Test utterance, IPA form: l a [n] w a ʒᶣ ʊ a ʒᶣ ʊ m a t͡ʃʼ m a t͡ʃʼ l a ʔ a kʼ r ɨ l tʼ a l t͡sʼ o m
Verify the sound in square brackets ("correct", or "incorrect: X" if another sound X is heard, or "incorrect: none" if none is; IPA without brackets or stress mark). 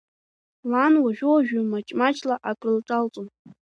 correct